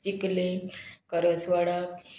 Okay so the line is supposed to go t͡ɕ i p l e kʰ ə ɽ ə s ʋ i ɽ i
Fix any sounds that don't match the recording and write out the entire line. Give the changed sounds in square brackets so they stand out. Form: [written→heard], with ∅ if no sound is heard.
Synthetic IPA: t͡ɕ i [p→k] l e [kʰ→k] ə [ɽ→ɾ] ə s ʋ [i→a] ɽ [i→a]